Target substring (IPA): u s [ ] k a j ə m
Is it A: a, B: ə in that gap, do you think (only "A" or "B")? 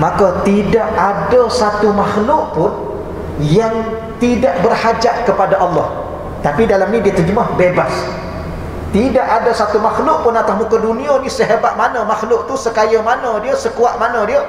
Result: B